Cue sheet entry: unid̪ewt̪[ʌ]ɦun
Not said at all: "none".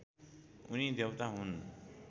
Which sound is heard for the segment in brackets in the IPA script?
a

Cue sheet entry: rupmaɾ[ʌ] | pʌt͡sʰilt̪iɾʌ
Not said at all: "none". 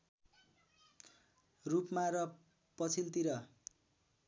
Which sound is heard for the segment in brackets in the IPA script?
ʌ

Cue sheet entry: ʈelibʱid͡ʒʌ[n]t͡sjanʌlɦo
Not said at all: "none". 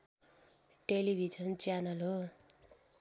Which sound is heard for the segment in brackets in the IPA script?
n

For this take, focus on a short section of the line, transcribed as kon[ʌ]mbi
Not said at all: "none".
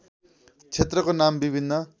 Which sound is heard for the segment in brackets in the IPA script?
a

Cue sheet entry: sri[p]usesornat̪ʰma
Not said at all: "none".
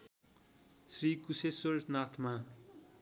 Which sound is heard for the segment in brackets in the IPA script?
k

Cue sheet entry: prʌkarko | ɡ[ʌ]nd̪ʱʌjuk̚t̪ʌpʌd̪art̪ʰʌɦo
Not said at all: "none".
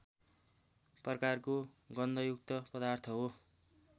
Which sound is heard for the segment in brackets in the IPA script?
ʌ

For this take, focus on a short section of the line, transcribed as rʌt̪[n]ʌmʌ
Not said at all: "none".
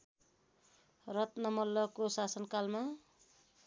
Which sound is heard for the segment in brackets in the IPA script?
n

